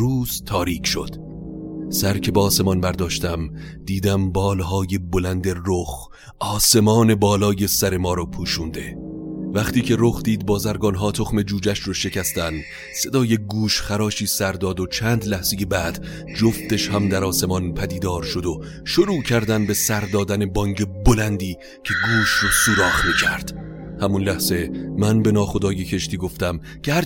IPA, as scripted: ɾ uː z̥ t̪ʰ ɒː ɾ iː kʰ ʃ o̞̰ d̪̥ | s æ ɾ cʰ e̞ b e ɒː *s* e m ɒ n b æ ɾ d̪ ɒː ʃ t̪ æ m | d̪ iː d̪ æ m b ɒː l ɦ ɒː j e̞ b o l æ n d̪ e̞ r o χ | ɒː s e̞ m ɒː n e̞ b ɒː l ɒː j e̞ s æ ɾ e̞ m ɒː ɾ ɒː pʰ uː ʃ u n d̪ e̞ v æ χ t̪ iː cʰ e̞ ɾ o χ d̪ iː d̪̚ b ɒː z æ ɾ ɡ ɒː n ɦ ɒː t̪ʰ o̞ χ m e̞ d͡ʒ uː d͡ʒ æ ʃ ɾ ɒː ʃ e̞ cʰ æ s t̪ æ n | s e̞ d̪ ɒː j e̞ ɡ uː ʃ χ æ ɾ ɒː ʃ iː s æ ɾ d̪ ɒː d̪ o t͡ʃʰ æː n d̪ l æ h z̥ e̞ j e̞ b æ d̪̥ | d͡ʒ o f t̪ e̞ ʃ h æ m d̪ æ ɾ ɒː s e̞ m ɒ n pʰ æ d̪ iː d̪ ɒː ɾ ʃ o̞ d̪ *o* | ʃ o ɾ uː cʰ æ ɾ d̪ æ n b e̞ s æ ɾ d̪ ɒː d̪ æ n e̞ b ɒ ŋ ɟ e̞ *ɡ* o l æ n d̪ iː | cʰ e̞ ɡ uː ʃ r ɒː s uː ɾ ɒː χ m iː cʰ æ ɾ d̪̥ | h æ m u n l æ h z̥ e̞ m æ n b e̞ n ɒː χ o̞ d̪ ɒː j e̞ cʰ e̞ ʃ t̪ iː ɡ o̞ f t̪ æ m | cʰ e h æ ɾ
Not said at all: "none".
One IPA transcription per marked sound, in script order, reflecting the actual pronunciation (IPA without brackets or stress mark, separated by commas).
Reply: s, o, b